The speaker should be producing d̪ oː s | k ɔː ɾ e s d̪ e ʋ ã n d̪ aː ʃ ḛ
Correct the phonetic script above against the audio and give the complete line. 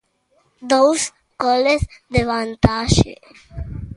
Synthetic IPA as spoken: d̪ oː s | k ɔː l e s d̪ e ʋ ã n t̪ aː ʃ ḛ